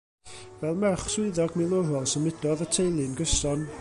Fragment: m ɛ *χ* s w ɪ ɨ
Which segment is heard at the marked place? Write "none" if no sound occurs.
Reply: χ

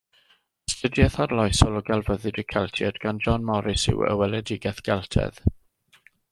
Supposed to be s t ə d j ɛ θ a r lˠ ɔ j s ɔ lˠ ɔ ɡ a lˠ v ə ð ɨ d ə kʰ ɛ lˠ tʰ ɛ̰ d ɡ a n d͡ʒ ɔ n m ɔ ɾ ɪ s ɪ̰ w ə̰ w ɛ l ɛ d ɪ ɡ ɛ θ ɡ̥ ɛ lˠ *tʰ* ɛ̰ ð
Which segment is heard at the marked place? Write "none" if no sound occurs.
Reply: tʰ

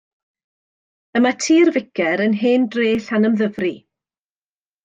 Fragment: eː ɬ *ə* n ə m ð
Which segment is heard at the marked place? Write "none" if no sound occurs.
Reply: a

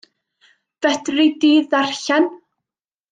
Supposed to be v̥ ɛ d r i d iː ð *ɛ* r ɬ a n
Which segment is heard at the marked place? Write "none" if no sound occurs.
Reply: a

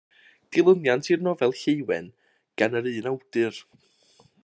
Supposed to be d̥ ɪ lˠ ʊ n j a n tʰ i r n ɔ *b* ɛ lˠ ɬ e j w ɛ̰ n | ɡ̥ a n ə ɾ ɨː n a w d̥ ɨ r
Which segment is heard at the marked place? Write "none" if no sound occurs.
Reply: v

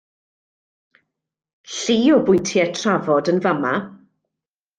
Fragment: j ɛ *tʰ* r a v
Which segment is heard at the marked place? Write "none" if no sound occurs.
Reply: tʰ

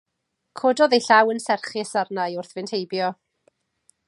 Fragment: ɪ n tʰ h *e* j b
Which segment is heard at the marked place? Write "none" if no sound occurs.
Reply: e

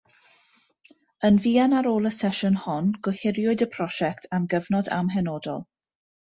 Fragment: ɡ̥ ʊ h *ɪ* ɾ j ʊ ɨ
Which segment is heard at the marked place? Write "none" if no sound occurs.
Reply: ɪ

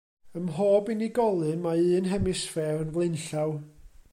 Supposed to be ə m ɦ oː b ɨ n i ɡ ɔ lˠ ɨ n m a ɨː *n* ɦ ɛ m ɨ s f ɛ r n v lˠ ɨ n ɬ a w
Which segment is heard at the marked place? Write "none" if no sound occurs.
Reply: n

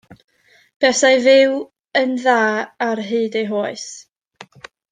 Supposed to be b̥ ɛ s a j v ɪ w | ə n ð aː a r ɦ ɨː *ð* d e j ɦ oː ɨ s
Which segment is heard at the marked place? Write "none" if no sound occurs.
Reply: none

